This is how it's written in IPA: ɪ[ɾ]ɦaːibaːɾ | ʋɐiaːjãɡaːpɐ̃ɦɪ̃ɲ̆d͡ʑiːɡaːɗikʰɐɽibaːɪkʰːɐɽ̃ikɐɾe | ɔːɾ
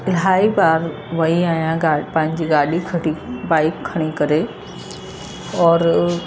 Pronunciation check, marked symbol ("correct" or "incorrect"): incorrect